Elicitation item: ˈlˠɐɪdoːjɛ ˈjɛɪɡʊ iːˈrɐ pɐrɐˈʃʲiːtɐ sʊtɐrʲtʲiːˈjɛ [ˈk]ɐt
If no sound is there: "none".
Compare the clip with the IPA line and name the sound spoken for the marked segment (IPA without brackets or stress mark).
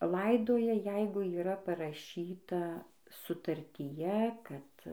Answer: k